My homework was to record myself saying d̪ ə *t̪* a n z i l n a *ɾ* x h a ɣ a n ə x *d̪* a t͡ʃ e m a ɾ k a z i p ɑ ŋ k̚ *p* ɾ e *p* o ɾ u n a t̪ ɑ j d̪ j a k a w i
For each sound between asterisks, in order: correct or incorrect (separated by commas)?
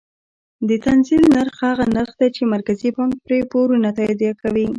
correct, correct, correct, correct, correct